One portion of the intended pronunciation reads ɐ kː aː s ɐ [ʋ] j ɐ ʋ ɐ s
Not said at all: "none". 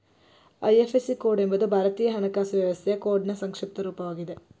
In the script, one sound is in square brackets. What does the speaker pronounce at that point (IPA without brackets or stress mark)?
ʋ